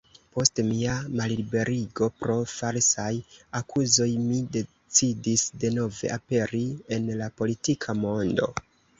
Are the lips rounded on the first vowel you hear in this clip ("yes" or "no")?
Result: yes